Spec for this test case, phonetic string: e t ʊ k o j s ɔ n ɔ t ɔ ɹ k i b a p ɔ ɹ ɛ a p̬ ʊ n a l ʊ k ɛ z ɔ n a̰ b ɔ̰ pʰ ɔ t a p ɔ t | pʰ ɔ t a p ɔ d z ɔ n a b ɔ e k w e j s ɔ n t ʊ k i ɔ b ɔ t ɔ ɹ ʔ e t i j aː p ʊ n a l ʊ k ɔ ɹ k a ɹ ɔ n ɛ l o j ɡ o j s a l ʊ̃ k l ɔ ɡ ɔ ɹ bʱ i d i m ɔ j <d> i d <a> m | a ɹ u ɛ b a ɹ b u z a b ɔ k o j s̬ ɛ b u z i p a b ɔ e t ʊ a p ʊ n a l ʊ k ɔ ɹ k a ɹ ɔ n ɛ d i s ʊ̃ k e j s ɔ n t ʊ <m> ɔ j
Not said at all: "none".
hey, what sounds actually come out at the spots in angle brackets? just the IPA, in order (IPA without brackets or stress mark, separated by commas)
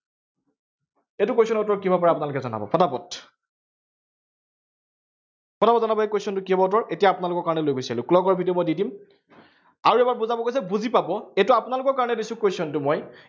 d, i, m